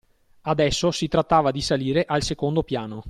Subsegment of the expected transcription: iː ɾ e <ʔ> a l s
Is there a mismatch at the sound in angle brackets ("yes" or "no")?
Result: no